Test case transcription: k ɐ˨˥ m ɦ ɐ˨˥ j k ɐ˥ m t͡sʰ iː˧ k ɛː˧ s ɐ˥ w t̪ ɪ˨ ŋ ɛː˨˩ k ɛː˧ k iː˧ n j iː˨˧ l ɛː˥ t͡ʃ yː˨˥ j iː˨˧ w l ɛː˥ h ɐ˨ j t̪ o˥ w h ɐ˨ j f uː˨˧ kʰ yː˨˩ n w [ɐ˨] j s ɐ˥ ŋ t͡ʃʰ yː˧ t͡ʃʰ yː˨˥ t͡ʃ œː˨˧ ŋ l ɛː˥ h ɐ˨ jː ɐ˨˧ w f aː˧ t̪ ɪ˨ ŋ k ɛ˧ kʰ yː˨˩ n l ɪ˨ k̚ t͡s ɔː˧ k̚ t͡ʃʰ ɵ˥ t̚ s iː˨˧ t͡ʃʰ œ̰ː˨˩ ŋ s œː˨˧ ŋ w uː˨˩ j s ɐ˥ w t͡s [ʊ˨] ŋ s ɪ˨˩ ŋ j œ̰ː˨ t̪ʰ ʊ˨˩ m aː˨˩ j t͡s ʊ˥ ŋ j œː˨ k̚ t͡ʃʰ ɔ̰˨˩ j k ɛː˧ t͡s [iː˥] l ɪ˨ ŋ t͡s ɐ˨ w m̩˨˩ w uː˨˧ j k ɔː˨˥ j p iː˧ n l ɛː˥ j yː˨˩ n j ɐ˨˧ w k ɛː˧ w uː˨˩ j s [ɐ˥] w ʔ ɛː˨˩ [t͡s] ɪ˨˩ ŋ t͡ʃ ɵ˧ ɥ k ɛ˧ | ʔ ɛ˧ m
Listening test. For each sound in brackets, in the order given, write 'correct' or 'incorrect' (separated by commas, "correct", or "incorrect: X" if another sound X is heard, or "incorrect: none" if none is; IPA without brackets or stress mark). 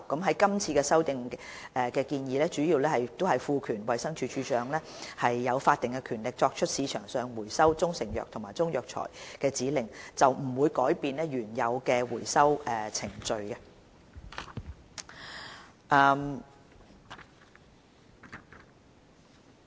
correct, incorrect: ʊ˥, incorrect: iː˨˥, correct, incorrect: t͡sʰ